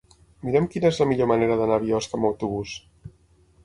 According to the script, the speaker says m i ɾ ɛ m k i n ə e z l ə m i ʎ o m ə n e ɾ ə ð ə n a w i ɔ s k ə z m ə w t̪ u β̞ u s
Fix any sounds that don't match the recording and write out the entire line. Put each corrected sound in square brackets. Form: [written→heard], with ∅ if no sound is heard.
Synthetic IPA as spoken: m i ɾ ɛ m k i n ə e z l ə m i ʎ o m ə n e ɾ ə ð ə n a [w→β] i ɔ s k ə [z→∅] m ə w t̪ u β̞ u s